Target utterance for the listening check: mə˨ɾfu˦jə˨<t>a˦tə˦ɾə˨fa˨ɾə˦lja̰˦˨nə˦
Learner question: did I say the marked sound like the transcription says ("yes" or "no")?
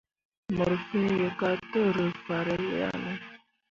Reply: no